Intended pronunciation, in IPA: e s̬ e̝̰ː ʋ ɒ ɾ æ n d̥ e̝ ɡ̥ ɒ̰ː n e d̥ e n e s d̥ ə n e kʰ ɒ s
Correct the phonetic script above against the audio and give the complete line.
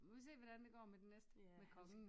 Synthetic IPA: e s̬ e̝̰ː ʋ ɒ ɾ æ n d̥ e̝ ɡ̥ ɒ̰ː m e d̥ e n e s d̥ ə m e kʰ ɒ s